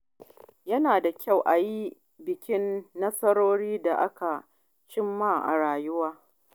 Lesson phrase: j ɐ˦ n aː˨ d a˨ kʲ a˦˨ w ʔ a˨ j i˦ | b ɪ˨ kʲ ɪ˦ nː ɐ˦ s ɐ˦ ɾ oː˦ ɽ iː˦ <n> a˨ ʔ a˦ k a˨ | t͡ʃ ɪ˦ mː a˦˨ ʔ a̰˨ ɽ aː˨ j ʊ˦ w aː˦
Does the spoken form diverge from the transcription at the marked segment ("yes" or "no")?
yes